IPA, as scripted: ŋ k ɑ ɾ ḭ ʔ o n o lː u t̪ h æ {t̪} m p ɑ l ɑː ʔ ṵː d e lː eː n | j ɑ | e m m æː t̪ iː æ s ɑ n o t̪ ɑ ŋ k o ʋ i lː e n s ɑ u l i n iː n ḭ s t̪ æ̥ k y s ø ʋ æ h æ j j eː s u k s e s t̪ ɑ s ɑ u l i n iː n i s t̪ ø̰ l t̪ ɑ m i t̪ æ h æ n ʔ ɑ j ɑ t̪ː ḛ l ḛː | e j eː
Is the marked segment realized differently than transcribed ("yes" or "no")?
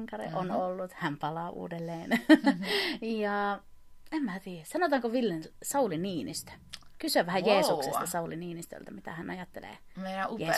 yes